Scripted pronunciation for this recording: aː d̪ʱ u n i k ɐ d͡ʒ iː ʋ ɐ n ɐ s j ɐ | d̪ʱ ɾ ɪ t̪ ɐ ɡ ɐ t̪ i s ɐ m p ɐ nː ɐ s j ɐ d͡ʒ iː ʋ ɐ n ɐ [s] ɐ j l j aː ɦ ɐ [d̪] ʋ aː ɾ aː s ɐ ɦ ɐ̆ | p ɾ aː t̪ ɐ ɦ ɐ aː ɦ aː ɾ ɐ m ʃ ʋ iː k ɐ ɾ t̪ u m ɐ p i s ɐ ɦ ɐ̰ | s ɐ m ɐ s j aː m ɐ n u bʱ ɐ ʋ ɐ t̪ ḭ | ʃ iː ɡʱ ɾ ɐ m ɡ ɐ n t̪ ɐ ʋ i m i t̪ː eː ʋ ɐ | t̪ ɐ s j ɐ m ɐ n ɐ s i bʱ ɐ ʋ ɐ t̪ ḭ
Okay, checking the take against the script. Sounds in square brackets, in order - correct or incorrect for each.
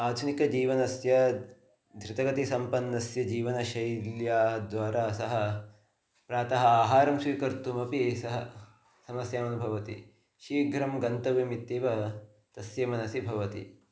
incorrect: ʃ, correct

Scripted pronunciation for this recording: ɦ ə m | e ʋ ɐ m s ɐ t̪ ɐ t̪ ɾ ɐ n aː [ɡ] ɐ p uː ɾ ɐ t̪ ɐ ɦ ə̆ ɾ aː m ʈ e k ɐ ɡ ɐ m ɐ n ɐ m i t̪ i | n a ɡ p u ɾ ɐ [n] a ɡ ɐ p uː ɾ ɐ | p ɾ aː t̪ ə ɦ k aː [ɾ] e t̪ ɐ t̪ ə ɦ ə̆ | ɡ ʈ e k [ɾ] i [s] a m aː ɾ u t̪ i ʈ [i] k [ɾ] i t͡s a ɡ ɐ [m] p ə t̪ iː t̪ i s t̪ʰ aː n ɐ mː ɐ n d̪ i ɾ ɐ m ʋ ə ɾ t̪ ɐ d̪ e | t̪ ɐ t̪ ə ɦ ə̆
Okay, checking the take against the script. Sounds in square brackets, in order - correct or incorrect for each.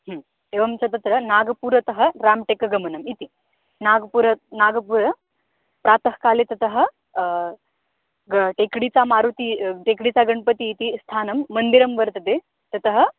correct, correct, incorrect: l, incorrect: ɽ, incorrect: t͡s, incorrect: e, incorrect: ɽ, incorrect: ɳ

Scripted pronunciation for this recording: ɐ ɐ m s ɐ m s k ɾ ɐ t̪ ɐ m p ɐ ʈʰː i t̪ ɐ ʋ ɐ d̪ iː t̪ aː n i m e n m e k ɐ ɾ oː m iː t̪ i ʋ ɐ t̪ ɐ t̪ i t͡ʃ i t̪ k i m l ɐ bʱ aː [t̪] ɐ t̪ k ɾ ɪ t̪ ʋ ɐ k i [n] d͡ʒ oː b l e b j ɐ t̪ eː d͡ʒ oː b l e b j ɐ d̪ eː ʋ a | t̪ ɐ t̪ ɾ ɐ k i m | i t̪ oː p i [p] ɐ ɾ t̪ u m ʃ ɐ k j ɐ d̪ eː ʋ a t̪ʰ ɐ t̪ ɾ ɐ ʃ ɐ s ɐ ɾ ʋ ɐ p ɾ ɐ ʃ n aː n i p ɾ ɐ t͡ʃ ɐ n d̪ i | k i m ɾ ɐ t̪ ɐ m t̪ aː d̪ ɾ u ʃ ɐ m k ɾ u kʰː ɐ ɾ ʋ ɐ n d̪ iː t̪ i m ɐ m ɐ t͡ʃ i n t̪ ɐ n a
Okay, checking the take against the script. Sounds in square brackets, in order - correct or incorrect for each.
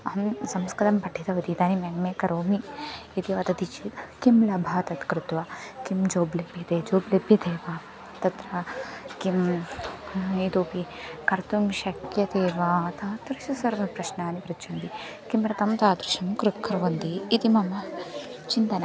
correct, incorrect: m, incorrect: k

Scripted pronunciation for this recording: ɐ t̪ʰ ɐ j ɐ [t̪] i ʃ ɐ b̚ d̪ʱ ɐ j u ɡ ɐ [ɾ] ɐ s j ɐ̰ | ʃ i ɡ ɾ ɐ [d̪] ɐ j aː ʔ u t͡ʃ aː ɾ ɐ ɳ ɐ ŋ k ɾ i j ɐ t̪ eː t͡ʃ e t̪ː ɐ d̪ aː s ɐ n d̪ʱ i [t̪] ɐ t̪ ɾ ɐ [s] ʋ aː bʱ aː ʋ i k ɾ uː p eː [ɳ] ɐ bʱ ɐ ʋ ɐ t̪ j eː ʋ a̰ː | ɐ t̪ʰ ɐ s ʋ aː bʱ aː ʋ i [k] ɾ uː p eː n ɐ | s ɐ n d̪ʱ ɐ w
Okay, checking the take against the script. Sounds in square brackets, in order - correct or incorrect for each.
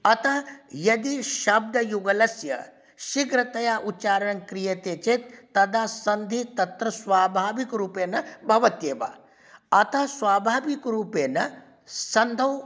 incorrect: d̪, incorrect: l, incorrect: t̪, correct, correct, incorrect: n, correct

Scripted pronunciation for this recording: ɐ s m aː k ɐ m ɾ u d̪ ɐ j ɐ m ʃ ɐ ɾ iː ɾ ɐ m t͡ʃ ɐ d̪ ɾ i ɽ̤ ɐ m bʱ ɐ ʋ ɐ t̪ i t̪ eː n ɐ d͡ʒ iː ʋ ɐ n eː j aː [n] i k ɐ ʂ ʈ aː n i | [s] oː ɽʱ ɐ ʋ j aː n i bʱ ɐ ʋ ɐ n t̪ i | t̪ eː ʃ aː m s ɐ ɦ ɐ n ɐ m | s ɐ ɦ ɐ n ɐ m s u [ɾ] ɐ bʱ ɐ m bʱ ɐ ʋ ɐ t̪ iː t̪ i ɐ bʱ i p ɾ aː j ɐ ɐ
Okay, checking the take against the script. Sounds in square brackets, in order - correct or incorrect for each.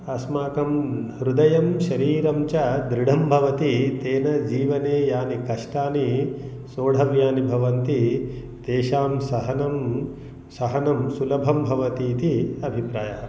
correct, correct, incorrect: l

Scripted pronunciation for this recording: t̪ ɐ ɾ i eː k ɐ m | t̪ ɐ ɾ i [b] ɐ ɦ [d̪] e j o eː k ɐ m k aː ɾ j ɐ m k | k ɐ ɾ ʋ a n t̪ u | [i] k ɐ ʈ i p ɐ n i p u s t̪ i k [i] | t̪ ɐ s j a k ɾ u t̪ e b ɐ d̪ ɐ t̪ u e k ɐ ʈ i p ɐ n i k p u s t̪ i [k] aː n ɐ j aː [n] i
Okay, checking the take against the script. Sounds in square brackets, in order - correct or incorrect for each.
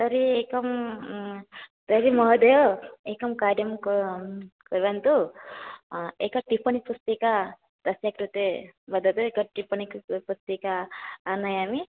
incorrect: m, correct, incorrect: e, incorrect: a, correct, incorrect: m

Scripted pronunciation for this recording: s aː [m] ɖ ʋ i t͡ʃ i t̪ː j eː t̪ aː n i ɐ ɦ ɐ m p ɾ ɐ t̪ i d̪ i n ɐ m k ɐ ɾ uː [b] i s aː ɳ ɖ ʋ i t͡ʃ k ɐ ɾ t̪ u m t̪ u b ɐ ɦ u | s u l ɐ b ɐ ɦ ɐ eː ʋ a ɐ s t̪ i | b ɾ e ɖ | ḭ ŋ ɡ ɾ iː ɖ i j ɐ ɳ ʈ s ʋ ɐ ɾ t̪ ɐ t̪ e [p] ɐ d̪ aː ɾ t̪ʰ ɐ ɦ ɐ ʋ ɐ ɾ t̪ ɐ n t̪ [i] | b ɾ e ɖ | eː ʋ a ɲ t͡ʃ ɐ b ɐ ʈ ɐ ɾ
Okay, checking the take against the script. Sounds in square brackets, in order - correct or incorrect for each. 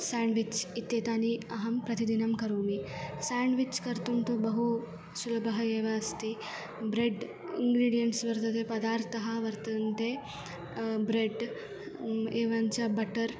incorrect: ɳ, incorrect: m, correct, incorrect: e

